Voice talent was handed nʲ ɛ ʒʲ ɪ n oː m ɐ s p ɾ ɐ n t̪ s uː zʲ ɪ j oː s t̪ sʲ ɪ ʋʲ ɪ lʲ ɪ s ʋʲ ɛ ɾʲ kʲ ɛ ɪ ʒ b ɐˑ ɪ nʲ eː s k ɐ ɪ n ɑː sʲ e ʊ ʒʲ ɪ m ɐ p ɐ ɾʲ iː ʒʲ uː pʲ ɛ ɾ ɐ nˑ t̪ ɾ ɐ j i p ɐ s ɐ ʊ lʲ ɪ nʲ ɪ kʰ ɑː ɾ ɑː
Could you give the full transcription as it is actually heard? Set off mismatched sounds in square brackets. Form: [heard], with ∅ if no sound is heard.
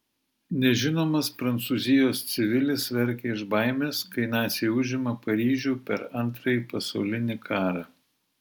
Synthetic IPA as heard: nʲ ɛ ʒʲ ɪ n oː m ɐ s p ɾ ɐ n t̪ s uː zʲ ɪ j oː s t̪ sʲ ɪ ʋʲ ɪ lʲ ɪ s ʋʲ ɛ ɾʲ kʲ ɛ ɪ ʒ b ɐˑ ɪ [mʲ] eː s k ɐ ɪ n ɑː sʲ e ʊ ʒʲ ɪ m ɐ p ɐ ɾʲ iː ʒʲ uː pʲ ɛ ɾ ɐ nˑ t̪ ɾ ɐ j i p ɐ s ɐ ʊ lʲ ɪ nʲ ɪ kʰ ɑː ɾ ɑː